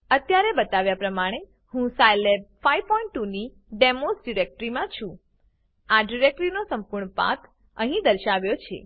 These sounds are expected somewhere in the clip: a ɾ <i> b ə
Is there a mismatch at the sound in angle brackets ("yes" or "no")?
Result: yes